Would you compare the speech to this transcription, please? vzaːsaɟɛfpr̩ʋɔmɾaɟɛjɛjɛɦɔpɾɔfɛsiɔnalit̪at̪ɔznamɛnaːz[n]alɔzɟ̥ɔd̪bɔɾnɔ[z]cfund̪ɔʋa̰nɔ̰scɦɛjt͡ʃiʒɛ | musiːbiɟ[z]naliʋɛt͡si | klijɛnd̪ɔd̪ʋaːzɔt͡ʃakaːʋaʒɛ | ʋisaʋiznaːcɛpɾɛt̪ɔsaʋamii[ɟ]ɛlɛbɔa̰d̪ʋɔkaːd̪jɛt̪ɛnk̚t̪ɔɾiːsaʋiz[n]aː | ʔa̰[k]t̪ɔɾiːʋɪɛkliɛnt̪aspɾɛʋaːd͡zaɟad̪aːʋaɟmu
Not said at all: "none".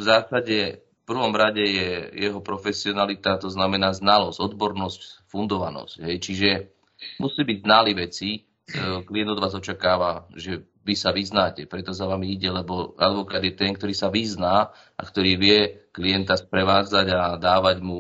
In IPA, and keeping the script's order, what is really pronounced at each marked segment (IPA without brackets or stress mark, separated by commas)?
n, s, z, ɟ, n, k